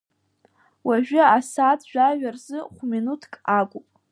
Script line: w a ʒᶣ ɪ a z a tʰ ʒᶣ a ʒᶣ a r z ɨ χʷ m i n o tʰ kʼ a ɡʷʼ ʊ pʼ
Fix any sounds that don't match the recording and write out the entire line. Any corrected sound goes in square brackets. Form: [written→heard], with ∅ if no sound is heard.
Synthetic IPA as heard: w a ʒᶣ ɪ a [z→s] a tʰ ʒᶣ a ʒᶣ a r z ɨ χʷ m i n [o→u] tʰ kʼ a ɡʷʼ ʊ pʼ